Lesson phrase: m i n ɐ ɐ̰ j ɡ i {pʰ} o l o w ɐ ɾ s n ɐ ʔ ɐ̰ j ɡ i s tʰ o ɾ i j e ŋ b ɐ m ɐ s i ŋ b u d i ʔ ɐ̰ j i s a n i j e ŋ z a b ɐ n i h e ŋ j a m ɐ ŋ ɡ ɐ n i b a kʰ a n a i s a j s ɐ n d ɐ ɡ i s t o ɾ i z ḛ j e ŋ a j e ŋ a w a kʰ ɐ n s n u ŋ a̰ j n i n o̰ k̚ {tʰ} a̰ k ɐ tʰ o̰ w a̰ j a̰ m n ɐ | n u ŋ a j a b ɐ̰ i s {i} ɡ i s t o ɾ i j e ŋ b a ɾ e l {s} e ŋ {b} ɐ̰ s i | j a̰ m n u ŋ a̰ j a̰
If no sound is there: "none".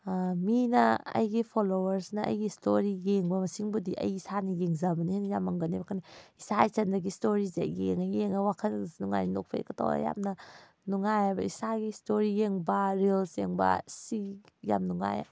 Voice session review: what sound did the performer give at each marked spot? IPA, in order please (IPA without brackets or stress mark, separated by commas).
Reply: pʰ, pʰ, a, s, b